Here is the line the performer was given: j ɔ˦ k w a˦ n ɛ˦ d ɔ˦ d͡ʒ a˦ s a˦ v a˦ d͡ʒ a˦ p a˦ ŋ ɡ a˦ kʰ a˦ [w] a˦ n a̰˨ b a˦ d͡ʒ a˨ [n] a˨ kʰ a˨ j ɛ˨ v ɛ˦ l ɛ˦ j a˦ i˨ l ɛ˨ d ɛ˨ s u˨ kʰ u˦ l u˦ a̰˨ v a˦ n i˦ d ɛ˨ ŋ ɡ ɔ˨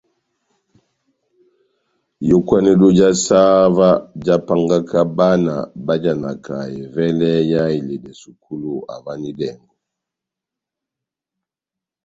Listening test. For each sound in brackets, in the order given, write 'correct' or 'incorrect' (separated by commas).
incorrect, correct